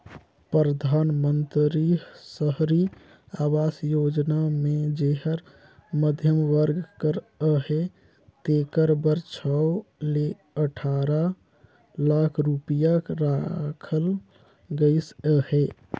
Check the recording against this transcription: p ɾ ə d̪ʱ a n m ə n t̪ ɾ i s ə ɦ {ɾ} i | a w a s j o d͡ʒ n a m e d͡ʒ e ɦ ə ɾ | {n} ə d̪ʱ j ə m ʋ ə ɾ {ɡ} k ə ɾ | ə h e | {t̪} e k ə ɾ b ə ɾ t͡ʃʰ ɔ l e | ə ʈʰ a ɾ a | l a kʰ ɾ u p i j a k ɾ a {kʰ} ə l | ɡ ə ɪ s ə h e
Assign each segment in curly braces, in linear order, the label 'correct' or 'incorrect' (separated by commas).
correct, incorrect, correct, correct, correct